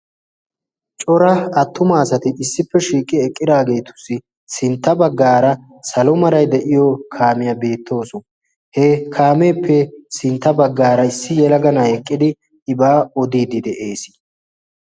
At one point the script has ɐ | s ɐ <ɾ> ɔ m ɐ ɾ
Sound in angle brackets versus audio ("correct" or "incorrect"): incorrect